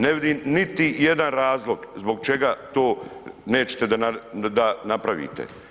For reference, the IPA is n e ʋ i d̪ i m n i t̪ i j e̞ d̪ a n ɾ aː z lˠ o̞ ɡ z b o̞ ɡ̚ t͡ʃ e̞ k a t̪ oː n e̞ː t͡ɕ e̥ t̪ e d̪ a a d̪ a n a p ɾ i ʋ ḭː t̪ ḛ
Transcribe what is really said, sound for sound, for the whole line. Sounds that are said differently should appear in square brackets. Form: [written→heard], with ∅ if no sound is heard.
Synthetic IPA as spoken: n e ʋ i d̪ i m n i t̪ i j e̞ d̪ a n ɾ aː z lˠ o̞ ɡ z b o̞ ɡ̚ t͡ʃ e̞ [k→ɡ] a t̪ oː n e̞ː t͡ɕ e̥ t̪ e d̪ a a d̪ a n a p ɾ [i→a] ʋ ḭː t̪ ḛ